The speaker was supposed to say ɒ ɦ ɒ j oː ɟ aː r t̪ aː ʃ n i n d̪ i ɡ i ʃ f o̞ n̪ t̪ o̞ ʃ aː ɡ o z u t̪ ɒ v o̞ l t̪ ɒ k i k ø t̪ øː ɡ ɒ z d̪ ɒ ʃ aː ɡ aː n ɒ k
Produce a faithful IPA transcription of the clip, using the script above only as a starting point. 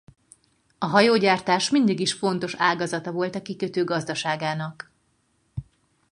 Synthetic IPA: ɒ ɦ ɒ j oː ɟ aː r t̪ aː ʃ m i n d̪ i ɡ i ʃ f o̞ n̪ t̪ o̞ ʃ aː ɡ ɒ z ɒ t̪ ɒ v o̞ l t̪ ɒ k i k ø t̪ øː ɡ ɒ z d̪ ɒ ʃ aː ɡ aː n ɒ k